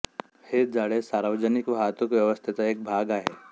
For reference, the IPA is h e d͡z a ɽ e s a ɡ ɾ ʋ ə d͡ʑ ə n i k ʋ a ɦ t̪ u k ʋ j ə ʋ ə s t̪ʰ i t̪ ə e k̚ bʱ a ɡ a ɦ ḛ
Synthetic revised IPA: h e d͡z a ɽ e s a ɾ ʋ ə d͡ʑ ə n i k ʋ a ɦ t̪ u k ʋ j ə ʋ ə s t̪ʰ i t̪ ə e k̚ bʱ a ɡ a ɦ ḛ